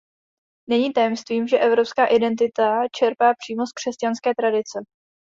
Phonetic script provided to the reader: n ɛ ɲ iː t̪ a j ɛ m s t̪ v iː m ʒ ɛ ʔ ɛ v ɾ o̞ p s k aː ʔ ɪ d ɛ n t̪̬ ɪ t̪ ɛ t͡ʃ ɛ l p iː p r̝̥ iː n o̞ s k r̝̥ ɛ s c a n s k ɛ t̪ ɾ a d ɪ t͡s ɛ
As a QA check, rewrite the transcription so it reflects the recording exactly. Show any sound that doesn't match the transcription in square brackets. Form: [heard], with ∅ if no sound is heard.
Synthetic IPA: n ɛ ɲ iː t̪ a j ɛ m s t̪ v iː m ʒ ɛ ʔ ɛ v ɾ o̞ p s k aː ʔ ɪ d ɛ n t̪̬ ɪ t̪ [a] t͡ʃ ɛ [ɾ] p [aː] p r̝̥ iː [m] o̞ s k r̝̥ ɛ s c a n s k [ɛː] t̪ ɾ a d ɪ t͡s ɛ